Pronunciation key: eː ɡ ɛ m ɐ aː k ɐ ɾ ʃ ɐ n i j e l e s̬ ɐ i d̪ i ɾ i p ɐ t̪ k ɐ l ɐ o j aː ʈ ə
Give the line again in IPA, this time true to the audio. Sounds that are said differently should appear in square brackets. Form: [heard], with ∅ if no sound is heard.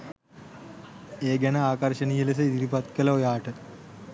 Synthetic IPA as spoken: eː ɡ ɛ [n] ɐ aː k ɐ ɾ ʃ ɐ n i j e l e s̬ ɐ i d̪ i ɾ i p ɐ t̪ k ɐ l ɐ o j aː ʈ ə